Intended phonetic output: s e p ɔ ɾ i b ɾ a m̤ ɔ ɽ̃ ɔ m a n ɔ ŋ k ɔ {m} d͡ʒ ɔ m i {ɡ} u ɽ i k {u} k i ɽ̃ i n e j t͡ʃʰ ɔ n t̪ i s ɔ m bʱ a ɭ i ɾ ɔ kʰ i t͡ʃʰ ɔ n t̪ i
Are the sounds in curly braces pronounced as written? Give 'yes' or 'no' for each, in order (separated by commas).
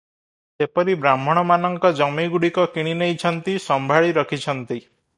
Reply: no, yes, no